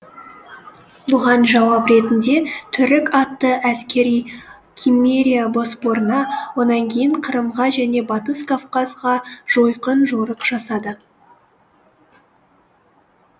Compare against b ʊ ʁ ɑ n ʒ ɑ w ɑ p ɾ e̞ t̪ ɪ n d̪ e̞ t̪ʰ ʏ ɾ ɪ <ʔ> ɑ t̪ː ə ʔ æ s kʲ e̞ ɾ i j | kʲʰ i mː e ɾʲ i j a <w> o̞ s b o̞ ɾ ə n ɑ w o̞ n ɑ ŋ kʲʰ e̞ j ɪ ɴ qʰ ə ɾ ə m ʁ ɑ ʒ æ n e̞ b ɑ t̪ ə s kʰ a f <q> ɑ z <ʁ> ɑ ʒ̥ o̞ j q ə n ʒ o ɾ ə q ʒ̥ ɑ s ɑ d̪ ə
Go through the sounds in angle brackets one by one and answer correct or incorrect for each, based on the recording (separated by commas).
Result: incorrect, incorrect, correct, correct